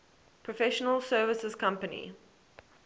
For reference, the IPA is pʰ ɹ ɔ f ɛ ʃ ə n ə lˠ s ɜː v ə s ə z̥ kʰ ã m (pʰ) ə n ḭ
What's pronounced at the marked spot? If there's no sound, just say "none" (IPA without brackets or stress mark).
p